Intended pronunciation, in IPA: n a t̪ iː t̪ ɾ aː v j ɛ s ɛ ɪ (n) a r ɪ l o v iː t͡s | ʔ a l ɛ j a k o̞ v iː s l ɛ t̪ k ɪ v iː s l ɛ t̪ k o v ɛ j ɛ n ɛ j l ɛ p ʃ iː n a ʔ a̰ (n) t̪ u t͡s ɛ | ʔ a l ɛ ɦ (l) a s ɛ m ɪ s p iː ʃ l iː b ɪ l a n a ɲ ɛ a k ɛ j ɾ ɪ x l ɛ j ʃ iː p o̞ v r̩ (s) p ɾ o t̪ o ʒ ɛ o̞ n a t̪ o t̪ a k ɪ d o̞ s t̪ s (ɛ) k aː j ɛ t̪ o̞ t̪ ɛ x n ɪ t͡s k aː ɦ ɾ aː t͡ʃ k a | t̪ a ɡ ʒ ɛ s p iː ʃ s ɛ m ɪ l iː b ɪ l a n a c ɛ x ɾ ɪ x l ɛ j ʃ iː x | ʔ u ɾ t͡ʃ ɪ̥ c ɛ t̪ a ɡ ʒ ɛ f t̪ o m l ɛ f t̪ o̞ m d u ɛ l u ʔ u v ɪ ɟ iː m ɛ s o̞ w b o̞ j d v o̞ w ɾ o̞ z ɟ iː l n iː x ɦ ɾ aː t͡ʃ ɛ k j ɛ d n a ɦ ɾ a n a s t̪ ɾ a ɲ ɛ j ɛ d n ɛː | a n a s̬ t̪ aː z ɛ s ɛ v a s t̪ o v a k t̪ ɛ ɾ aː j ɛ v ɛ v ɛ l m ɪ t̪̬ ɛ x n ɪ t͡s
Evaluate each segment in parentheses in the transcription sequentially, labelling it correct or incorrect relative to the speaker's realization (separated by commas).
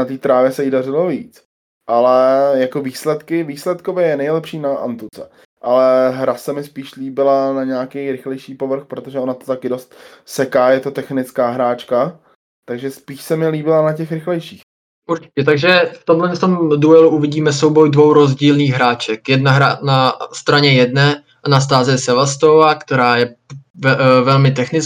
incorrect, correct, incorrect, incorrect, correct